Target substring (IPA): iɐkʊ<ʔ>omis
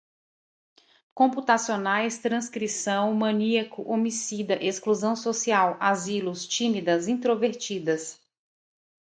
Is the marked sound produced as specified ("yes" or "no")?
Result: yes